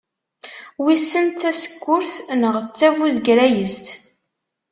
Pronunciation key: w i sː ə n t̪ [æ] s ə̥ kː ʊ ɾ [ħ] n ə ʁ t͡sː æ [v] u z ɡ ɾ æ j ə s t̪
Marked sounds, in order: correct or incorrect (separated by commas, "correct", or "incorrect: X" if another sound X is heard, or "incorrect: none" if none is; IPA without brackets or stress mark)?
correct, incorrect: θ, correct